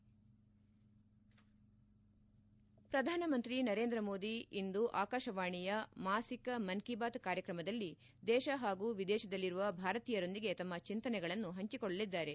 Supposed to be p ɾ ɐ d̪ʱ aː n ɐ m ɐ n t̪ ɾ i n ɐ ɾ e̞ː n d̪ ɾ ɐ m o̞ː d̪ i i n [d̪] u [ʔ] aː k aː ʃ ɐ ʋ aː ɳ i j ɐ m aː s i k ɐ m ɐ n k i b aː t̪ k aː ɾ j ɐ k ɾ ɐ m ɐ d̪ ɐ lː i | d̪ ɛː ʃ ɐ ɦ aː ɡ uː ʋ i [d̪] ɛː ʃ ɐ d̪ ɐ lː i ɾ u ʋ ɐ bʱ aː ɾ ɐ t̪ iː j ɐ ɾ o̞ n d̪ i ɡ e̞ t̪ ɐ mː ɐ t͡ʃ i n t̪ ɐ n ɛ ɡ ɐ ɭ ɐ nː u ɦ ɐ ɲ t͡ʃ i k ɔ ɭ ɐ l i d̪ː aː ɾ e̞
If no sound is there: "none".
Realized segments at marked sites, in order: d̪, ʔ, d̪

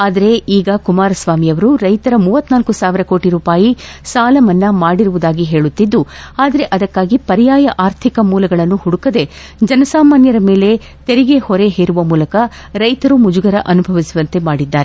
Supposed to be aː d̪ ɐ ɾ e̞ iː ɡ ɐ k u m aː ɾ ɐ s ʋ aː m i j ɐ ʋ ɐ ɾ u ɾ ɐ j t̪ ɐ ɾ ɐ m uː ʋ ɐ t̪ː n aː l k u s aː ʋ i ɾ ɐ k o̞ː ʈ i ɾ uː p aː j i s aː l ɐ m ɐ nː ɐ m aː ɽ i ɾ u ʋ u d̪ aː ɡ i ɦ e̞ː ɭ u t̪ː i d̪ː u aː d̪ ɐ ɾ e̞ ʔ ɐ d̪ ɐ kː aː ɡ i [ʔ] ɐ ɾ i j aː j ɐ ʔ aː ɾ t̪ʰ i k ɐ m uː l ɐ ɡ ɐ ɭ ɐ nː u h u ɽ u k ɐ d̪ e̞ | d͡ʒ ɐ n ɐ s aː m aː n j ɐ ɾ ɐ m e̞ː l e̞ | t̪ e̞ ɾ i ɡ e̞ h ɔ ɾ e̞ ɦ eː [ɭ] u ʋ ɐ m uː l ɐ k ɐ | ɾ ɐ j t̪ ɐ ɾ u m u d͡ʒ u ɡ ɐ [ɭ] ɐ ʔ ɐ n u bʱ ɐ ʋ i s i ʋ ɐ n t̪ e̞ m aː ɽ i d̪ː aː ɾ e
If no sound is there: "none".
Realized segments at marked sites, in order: p, ɾ, ɾ

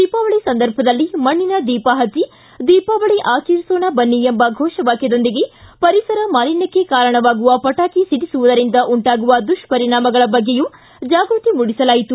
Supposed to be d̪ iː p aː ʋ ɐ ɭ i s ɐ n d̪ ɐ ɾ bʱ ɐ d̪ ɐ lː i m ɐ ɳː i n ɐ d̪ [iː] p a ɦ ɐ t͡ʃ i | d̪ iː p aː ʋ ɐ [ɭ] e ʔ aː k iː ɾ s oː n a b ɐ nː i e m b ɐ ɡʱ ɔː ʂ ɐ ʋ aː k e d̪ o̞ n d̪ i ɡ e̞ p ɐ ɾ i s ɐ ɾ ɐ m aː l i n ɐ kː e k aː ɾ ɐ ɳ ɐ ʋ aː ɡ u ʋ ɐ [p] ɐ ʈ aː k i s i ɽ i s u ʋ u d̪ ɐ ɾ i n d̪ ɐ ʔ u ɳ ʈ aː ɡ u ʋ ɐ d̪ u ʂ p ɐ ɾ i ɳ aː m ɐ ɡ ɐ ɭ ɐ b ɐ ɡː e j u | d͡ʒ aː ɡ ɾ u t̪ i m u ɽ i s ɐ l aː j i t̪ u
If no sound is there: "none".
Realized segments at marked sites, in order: iː, ɭ, p

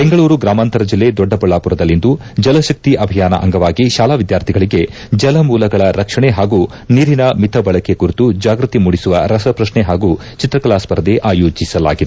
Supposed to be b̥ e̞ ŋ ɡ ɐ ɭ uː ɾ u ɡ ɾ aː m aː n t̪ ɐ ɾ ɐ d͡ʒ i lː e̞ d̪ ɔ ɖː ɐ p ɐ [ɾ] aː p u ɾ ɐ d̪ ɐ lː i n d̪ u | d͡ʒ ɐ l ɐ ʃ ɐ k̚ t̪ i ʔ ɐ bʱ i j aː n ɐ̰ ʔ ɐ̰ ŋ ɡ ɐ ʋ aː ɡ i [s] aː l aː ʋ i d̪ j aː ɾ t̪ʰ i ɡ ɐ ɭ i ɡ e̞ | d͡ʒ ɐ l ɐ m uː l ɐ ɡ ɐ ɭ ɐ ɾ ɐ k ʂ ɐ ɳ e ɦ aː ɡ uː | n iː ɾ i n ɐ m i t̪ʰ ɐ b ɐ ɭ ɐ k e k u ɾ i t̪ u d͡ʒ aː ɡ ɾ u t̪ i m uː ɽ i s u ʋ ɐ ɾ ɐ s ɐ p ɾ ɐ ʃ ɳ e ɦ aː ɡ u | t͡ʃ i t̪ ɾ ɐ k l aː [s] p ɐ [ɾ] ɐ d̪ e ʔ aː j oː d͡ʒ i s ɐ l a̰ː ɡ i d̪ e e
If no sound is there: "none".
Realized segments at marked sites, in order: ɭ, ʃ, s, ɾ

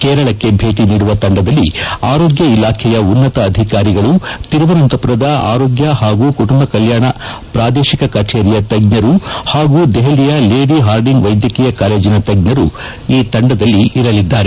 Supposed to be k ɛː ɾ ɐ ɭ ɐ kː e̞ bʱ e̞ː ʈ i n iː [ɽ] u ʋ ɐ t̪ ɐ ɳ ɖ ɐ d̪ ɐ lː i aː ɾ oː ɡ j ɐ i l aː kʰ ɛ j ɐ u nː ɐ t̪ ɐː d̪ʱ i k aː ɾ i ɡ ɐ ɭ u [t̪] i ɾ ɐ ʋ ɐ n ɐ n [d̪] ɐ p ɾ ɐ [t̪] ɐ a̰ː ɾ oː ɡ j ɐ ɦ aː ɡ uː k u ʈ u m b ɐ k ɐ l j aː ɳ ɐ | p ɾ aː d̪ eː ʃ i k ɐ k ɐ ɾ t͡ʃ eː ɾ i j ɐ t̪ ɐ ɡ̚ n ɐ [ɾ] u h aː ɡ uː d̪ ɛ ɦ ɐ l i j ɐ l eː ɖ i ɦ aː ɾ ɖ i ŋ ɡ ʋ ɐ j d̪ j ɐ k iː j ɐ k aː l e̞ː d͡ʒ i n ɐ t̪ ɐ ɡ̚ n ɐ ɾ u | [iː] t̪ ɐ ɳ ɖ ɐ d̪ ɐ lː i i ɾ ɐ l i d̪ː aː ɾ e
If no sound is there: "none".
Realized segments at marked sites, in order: ɽ, t̪, t̪, d̪, ɾ, iː

